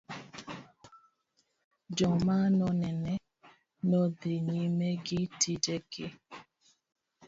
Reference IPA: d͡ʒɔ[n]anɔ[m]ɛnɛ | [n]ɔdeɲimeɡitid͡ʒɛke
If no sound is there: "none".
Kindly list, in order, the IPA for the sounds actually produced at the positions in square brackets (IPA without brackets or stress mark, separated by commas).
m, n, n